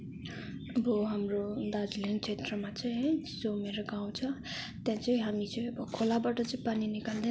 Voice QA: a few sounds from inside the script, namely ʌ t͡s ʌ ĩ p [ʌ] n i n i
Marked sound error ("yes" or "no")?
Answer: yes